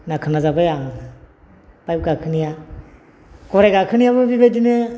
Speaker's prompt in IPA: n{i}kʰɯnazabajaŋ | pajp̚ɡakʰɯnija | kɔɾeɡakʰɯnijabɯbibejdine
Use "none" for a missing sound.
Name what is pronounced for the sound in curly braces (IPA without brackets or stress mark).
a